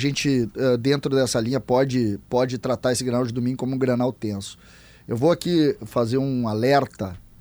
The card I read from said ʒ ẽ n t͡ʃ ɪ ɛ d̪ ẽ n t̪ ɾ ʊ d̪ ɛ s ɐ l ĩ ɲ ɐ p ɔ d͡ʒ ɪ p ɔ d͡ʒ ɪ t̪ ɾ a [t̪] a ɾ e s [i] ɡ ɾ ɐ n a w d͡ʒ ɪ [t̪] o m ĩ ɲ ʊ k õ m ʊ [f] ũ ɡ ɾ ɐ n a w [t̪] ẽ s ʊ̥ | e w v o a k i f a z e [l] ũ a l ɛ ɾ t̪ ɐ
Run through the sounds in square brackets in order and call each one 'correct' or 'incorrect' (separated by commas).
correct, incorrect, incorrect, incorrect, correct, incorrect